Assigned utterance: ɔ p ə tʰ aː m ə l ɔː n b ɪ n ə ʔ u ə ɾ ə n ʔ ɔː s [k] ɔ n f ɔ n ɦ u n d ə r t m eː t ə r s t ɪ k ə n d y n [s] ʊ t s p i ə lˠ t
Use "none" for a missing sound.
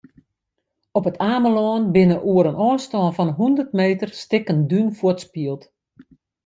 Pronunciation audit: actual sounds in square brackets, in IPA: t, f

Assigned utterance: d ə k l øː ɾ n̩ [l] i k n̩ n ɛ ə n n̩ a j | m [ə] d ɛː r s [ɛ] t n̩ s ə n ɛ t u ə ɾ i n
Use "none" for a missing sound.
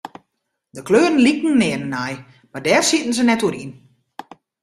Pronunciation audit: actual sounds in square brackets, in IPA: l, a, i

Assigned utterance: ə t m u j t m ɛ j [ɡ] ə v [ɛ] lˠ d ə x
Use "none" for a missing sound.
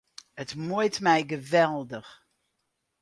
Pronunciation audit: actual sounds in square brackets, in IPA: ɡ, ɛ

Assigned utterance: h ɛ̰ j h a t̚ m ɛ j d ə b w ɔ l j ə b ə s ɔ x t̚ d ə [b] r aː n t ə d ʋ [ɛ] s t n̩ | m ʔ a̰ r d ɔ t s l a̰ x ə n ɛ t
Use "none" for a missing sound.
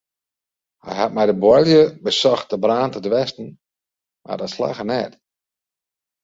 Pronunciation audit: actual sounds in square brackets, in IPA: b, ɛ

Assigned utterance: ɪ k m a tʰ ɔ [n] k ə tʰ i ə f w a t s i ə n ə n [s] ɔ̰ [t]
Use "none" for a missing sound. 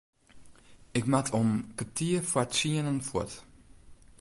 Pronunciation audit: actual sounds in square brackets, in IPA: m, f, t

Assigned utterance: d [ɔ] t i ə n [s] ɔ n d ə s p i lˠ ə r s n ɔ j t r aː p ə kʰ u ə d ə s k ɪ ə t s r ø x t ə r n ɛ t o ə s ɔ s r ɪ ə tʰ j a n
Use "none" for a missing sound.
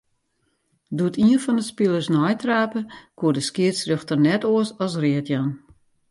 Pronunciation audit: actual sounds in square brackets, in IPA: u, f

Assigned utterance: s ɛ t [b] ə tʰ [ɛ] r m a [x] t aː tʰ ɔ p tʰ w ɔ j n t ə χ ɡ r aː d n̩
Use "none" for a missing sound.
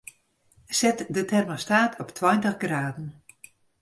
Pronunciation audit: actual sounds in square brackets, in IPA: d, ɛ, s

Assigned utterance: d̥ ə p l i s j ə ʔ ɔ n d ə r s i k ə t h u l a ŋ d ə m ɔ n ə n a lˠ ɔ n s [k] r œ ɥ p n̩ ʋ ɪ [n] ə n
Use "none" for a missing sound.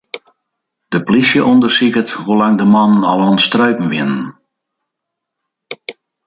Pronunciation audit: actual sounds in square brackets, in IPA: t, n

